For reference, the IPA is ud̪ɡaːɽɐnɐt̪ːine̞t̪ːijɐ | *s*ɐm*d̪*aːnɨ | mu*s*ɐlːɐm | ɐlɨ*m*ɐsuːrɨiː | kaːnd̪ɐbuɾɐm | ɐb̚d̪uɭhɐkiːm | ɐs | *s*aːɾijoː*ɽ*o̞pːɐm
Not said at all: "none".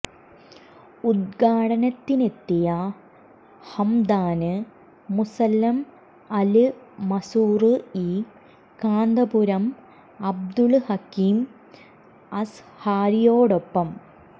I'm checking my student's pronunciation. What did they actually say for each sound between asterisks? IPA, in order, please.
h, d̪, s, m, h, ɽ

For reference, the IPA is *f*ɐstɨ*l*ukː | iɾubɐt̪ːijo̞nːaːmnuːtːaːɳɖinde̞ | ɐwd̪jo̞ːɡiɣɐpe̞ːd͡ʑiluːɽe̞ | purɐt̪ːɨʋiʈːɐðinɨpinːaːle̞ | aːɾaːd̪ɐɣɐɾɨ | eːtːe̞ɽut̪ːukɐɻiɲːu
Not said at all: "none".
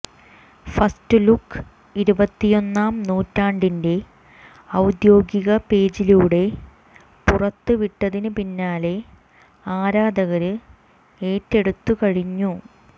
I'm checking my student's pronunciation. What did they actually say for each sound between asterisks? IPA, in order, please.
f, l

